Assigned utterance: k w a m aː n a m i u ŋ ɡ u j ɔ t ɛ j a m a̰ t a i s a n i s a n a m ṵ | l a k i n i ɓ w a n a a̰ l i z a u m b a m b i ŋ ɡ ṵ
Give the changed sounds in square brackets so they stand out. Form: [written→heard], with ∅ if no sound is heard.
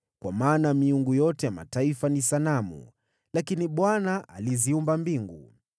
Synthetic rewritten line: k w a m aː n a m i u ŋ ɡ u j ɔ t ɛ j a m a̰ t a i [s→f] a n i s a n a m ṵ | l a k i n i ɓ w a n a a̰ l i z [a→i] u m b a m b i ŋ ɡ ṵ